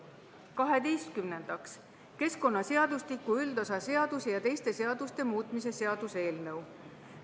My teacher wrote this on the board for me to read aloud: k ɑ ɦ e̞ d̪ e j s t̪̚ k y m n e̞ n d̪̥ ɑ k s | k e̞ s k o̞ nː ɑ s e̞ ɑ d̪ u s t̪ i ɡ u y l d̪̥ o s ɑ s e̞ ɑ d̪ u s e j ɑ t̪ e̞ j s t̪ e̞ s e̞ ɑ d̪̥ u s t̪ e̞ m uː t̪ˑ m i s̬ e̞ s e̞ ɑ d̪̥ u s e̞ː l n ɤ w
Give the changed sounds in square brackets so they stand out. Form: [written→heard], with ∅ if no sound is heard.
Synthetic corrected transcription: k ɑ ɦ e̞ d̪ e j s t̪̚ k y m n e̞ n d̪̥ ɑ k s | k e̞ s k o̞ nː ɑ s e̞ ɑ d̪ u s t̪ i [ɡ→k] u y l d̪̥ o s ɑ s e̞ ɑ d̪ u s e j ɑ t̪ e̞ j s t̪ e̞ s e̞ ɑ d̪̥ u s t̪ e̞ m uː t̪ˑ m i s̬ e̞ s e̞ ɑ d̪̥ u s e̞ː l n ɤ w